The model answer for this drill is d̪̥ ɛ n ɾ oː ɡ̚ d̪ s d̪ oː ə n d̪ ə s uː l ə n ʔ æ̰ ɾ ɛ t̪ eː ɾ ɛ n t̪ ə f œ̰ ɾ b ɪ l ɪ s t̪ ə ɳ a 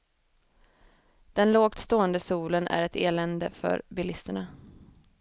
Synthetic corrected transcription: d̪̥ ɛ n l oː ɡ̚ t̪ s t̪ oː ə n d̪ ə s uː l ə n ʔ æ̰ ɾ ɛ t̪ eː l ɛ n d̪ ə f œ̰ ɾ b ɪ l ɪ s t̪ ə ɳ a